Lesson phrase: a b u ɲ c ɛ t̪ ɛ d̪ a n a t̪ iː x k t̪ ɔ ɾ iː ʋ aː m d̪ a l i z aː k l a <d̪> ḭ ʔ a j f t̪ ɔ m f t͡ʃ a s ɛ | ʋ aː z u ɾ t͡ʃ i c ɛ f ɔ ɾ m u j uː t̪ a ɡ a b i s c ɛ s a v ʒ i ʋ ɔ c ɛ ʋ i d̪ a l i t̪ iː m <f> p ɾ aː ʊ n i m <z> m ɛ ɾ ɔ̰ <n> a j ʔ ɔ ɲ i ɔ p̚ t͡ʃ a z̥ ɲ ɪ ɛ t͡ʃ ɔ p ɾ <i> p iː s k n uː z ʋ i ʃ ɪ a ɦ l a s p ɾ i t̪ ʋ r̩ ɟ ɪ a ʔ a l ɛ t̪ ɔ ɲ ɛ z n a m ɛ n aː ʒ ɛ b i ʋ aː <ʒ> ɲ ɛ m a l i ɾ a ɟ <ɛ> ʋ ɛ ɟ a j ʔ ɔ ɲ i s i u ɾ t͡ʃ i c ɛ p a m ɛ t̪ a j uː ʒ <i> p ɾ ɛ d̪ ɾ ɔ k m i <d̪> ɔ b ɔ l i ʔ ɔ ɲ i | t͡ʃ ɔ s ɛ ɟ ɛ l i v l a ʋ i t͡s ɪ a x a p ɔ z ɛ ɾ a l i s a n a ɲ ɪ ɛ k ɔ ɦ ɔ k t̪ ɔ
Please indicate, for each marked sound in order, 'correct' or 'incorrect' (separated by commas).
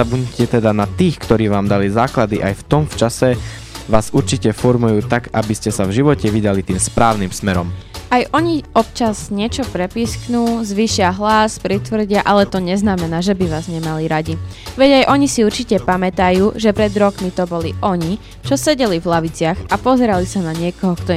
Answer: correct, incorrect, incorrect, incorrect, incorrect, incorrect, incorrect, incorrect, incorrect